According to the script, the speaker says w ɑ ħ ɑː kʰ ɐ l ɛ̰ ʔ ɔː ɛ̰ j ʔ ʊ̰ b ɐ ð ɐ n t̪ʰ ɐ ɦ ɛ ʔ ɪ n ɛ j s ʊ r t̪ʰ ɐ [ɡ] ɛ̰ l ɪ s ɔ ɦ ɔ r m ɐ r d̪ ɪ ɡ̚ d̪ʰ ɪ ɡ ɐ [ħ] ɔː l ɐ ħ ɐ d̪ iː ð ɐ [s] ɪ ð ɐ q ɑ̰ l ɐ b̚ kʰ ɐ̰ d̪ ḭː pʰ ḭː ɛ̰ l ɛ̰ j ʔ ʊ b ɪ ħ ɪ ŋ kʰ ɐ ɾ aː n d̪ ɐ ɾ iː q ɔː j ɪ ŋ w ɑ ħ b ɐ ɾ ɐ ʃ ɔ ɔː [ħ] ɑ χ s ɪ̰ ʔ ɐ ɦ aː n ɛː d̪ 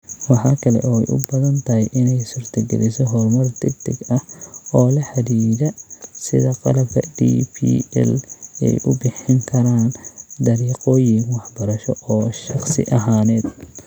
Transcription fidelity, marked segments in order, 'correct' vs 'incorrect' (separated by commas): correct, incorrect, correct, incorrect